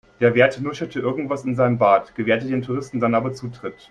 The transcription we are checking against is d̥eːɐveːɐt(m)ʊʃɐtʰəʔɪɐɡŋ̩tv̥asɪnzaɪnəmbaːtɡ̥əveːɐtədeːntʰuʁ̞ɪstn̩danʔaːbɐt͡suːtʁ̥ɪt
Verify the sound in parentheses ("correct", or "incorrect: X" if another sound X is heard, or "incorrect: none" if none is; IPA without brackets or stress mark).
incorrect: n